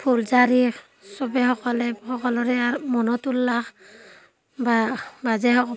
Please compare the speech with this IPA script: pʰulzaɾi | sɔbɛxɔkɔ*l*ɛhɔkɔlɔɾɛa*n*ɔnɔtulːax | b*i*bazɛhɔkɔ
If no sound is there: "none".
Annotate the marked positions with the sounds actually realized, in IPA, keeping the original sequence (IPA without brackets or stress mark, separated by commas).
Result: l, m, a